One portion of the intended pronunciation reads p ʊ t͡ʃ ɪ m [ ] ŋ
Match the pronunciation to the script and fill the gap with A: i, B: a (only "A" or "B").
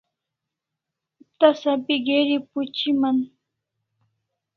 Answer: B